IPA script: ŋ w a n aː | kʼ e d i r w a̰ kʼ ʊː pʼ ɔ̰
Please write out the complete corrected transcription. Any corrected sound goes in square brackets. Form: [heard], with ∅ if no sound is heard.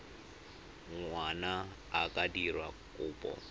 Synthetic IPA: ŋ w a n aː | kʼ [a] d i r w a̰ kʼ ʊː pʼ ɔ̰